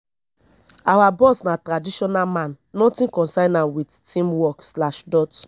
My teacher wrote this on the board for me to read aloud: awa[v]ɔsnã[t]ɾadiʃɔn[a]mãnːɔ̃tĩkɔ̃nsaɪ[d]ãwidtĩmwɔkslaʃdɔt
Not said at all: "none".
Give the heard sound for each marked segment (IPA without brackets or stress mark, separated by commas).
b, t, a, n